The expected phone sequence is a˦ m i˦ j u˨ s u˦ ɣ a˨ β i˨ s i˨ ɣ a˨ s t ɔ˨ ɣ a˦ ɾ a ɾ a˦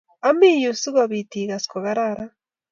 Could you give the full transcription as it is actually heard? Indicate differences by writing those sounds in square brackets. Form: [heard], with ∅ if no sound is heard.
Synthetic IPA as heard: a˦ m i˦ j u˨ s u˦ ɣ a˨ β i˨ [t] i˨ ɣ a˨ s [k] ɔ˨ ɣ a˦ ɾ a ɾ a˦